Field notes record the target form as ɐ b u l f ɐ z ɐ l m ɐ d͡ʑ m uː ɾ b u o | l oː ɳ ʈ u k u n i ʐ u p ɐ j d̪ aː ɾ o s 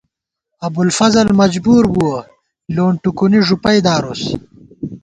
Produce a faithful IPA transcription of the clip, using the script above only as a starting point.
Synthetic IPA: ɐ b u l f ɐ z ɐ l m ɐ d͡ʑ b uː ɾ b u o | l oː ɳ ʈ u k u n i ʐ u p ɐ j d̪ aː ɾ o s